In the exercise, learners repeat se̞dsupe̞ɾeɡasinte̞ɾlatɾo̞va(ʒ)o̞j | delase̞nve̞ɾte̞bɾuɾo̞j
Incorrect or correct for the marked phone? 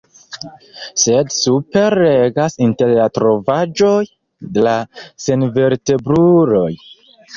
incorrect: d͡ʒ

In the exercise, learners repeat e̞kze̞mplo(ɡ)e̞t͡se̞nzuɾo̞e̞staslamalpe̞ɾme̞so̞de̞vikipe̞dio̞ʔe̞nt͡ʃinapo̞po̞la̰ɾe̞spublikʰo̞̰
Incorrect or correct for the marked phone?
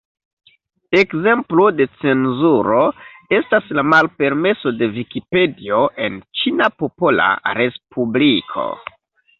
incorrect: d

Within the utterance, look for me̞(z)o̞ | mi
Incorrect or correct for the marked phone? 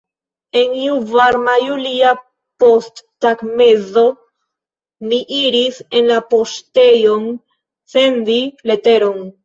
correct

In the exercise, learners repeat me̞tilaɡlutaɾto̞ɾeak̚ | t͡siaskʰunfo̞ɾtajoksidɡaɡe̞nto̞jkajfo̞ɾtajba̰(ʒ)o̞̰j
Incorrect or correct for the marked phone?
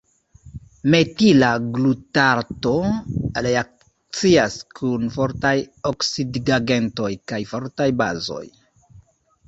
incorrect: z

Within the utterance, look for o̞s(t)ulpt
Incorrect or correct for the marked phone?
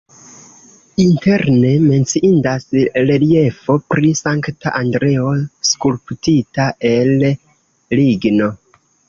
incorrect: k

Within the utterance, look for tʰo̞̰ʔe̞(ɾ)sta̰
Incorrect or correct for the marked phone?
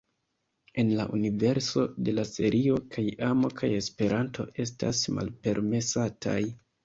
incorrect: none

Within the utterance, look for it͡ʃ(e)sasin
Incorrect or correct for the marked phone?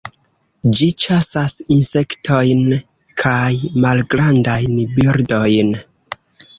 incorrect: a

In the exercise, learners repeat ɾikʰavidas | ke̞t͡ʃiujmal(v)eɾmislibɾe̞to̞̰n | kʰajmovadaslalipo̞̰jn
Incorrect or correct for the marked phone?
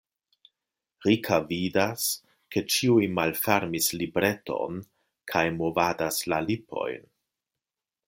incorrect: f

